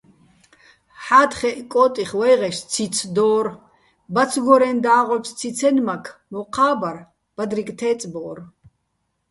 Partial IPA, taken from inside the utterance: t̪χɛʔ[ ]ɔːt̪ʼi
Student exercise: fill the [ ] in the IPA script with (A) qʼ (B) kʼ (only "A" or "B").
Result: B